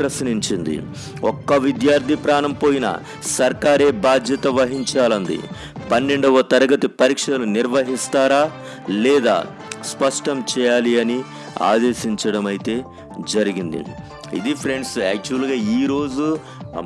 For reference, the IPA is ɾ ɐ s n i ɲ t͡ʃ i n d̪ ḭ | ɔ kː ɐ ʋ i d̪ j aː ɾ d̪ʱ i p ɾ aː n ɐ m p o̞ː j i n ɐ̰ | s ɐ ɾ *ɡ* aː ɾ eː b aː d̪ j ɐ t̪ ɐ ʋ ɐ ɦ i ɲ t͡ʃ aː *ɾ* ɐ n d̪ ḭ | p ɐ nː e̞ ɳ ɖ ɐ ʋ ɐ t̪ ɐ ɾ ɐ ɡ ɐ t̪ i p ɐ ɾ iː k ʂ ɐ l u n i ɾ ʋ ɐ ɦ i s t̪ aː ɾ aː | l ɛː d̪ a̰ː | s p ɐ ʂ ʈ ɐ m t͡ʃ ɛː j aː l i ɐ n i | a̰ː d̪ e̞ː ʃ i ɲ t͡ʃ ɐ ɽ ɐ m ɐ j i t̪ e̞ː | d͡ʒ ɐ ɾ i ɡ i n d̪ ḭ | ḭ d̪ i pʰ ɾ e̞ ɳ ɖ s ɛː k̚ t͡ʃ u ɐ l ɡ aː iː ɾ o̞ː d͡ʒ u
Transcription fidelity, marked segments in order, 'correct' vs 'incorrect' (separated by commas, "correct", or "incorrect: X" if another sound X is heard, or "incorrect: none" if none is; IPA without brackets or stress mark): incorrect: k, incorrect: l